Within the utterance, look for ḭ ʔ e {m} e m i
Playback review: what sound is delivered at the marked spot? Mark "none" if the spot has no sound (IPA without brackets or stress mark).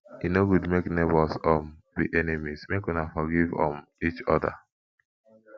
n